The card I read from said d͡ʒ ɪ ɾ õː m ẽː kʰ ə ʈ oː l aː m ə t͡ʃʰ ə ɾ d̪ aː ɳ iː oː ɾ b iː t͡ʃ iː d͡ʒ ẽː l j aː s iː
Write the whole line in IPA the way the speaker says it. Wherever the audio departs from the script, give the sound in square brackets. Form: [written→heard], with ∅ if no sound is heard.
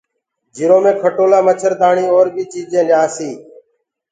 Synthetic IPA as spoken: d͡ʒ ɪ ɾ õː m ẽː kʰ ə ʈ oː l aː m ə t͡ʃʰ ə ɾ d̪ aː ɳ iː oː ɾ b iː t͡ʃ iː d͡ʒ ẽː l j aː s iː

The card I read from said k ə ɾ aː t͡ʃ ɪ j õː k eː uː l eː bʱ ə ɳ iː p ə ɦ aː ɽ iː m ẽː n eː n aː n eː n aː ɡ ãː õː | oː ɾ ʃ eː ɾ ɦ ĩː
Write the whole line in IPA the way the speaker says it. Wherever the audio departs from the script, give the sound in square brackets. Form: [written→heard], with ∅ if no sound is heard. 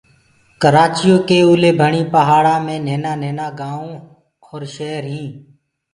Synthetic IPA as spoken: k ə ɾ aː t͡ʃ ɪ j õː k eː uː l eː bʱ ə ɳ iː p ə ɦ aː ɽ [iː→aː] m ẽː n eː n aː n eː n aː ɡ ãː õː | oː ɾ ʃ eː ɾ ɦ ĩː

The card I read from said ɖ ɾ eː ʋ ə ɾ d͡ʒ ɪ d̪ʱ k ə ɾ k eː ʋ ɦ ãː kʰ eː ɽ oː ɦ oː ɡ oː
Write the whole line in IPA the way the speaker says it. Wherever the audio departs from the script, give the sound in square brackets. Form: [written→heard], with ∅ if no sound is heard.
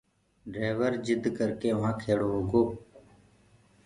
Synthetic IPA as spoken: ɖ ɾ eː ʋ ə ɾ d͡ʒ ɪ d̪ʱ k ə ɾ k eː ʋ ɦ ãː kʰ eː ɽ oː ɦ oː ɡ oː

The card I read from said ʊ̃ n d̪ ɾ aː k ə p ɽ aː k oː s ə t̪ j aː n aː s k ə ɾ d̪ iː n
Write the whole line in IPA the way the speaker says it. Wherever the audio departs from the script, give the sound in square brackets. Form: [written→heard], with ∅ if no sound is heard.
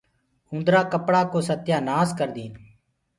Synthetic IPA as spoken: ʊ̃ n d̪ ɾ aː k ə p ɽ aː k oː s ə t̪ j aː n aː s k ə ɾ d̪ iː n

